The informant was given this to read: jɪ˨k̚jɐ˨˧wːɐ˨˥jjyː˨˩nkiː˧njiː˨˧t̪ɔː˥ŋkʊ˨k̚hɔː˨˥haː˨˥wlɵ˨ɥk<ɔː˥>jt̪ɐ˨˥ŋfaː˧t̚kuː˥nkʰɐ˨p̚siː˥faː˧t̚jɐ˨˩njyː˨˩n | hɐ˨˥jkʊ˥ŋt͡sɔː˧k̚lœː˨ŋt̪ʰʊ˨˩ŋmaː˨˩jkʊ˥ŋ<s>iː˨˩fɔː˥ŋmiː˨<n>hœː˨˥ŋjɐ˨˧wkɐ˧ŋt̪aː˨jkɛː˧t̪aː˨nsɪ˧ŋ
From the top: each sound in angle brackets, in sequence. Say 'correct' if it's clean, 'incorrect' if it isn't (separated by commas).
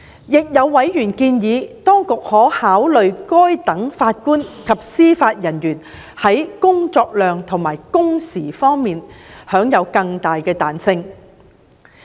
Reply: correct, correct, correct